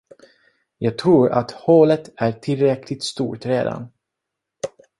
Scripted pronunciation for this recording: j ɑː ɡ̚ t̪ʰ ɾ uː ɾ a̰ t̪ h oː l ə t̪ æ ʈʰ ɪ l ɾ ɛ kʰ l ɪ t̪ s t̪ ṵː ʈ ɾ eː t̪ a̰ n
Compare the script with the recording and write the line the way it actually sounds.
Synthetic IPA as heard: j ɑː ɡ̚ t̪ʰ ɾ uː ɾ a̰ t̪ h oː l ə t̪ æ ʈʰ ɪ l ɾ ɛ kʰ l ɪ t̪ s t̪ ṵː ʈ ɾ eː d̪ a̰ n